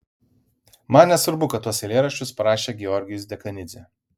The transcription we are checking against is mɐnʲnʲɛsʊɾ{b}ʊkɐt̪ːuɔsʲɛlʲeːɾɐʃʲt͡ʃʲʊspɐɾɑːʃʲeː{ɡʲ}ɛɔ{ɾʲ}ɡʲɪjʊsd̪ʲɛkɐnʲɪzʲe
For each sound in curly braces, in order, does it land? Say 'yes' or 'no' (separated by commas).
yes, yes, yes